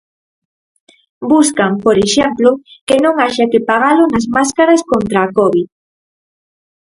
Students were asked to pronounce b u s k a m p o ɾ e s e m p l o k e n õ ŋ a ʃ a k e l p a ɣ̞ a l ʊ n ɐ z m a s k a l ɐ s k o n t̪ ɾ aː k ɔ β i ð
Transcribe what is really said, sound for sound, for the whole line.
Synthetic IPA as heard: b u s k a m p o ɾ e ʃ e m p l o k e n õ ŋ a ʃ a k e p a ɣ̞ a l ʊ n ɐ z m a s k a ɾ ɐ s k o n t̪ ɾ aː k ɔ β i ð

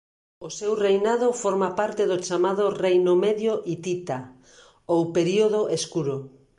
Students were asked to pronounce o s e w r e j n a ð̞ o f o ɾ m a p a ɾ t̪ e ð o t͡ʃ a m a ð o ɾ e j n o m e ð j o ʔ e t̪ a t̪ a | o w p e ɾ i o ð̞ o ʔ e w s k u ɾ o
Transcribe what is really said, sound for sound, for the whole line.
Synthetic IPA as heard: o s e w r e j n a ð̞ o f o ɾ m a p a ɾ t̪ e ð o t͡ʃ a m a ð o r e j n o m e ð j o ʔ i t̪ i t̪ a | o w p e ɾ i o ð̞ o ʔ e s k u ɾ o

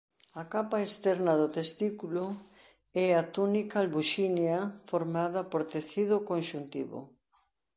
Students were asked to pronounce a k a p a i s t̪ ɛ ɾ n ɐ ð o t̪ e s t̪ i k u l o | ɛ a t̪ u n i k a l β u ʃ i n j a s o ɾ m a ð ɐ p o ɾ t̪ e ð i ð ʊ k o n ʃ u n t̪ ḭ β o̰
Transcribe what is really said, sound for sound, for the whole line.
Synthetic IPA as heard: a k a p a e s t̪ ɛ ɾ n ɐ ð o t̪ e s t̪ i k u l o | ɛ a t̪ u n i k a l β u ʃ i n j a f o ɾ m a ð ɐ p o ɾ t̪ e θ i ð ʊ k o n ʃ u n t̪ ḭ β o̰

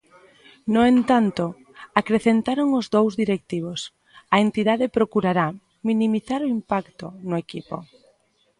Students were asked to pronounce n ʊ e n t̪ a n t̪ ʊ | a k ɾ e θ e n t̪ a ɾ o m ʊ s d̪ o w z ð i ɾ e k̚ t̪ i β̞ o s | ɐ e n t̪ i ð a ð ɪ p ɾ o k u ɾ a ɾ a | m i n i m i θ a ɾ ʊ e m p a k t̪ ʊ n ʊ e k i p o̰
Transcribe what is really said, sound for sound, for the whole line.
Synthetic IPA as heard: n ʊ e n t̪ a n t̪ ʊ | a k ɾ e θ e n t̪ a ɾ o ŋ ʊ z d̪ o w z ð i ɾ e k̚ t̪ i β̞ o s | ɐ e n t̪ i ð a ð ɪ p ɾ o k u ɾ a ɾ a | m i n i m i θ a ɾ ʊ i m p a k t̪ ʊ n ʊ e k i p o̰

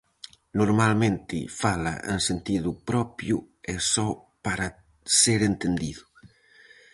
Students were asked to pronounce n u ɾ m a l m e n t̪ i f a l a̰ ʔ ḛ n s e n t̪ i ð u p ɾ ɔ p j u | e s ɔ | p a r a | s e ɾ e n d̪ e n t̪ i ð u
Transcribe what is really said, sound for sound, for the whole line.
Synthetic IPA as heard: n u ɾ m a l m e n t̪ i f a l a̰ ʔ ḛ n s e n t̪ i ð u p ɾ ɔ p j u | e s ɔ | p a ɾ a | s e ɾ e n t̪ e n d̪ i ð u

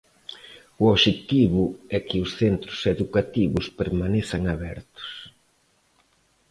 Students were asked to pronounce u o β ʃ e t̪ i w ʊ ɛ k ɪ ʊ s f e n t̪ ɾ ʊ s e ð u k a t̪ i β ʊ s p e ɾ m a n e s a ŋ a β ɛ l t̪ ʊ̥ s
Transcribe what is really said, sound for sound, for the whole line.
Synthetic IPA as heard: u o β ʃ e t̪ i β ʊ ɛ k ɪ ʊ s θ e n t̪ ɾ ʊ s e ð u k a t̪ i β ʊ s p e ɾ m a n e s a ŋ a β ɛ ɾ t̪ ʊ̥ s

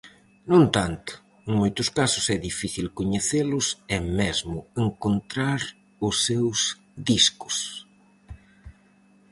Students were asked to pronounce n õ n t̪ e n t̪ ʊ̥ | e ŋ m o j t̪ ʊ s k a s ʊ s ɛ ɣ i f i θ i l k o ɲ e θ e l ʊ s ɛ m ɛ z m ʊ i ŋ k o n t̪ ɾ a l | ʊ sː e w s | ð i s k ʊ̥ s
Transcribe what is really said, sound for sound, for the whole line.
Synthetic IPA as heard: n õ n t̪ a n t̪ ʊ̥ | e ŋ m o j t̪ ʊ s k a s ʊ s ɛ ð i f i θ i l k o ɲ e θ e l ʊ s ɛ m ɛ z m ʊ e ŋ k o n t̪ ɾ a ɾ | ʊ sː e w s | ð i s k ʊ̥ s

